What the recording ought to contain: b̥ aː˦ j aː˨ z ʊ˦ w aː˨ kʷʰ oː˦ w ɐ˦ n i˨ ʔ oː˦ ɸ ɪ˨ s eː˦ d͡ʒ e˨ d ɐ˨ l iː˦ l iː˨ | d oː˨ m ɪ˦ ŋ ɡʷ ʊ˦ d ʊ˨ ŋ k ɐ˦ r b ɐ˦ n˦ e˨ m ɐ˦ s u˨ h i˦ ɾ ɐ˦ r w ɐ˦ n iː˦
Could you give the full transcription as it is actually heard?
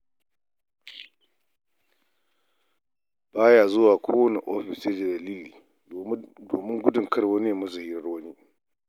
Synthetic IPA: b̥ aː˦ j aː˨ z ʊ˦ w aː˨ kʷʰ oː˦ w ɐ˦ n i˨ ʔ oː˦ ɸ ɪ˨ s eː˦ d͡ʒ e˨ d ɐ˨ l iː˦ l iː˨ | d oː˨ m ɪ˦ ŋ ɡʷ ʊ˦ d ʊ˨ ŋ k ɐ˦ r w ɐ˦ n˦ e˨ m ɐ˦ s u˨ h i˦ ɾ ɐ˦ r w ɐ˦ n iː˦